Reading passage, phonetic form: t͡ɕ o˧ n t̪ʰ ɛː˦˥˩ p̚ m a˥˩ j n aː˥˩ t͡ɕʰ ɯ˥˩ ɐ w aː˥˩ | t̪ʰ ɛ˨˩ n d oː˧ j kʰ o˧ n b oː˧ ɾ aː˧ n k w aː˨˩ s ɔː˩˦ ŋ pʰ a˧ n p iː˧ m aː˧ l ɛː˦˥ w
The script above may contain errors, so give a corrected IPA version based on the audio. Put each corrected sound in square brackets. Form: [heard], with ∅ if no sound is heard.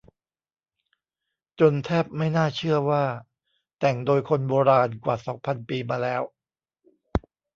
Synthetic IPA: t͡ɕ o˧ n t̪ʰ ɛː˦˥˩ p̚ m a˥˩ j n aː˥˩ t͡ɕʰ ɯ˥˩ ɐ w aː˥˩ | [t̪] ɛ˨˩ [ŋ] d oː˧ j kʰ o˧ n b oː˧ ɾ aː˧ n k w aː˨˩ s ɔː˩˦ ŋ pʰ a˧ n p iː˧ m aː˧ l ɛː˦˥ w